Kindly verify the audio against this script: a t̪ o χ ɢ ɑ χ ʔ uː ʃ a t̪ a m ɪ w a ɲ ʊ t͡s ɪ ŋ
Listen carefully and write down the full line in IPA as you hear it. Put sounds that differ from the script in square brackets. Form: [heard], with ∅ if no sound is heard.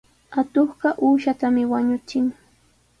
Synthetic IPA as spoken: a t̪ o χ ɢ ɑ [∅] ʔ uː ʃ a t̪ a m ɪ w a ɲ ʊ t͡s ɪ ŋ